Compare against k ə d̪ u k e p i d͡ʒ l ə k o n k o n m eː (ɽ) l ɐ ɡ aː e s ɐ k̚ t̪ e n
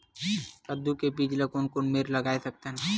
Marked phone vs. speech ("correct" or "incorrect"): incorrect